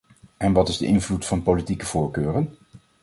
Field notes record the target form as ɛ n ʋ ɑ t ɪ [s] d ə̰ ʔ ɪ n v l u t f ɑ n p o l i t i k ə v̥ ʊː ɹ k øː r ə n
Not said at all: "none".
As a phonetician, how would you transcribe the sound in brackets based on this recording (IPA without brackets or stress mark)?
z